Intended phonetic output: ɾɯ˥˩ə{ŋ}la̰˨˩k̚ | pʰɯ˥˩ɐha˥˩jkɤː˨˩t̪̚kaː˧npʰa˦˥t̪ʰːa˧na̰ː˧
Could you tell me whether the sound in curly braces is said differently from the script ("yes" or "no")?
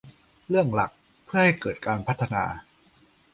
no